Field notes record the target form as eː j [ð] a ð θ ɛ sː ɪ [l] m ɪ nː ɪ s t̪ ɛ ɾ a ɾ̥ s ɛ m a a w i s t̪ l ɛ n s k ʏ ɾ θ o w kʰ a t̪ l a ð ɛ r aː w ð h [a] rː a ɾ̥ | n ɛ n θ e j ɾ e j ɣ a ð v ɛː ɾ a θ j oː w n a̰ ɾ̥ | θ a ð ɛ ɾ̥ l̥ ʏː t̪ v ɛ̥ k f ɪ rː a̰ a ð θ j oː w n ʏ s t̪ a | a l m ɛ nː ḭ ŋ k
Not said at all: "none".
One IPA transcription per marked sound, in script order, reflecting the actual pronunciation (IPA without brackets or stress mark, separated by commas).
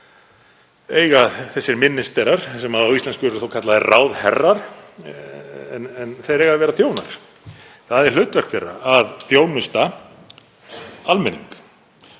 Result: ɣ, ɾ, ɛ